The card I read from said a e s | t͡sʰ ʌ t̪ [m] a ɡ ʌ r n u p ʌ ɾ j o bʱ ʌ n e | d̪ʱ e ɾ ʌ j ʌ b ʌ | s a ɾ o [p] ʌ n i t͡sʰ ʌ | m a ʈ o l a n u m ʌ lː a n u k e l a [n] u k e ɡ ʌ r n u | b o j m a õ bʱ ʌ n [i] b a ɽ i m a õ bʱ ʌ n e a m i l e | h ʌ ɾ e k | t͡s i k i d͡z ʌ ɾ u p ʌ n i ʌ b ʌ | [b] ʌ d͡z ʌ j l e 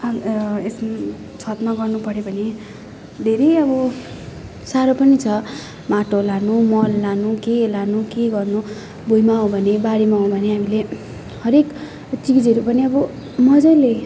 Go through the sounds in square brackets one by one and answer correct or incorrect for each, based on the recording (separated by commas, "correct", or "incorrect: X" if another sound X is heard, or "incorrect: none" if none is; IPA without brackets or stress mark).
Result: correct, correct, correct, incorrect: e, incorrect: m